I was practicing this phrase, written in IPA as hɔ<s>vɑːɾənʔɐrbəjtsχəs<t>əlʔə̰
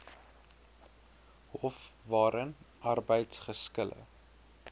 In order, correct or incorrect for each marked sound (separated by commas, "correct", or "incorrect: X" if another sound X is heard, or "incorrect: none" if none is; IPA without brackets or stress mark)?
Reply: incorrect: f, incorrect: k